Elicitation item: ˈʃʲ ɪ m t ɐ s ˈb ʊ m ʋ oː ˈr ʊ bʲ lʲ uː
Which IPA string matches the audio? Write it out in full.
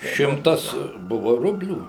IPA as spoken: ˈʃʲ ɪ m t ɐ s ˈb ʊ ʋ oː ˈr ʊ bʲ lʲ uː